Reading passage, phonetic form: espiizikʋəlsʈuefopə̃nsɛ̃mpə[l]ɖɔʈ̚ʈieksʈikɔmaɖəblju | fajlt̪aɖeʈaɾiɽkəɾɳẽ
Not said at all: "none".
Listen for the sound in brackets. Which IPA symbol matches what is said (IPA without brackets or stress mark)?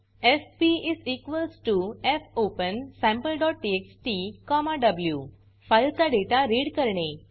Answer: l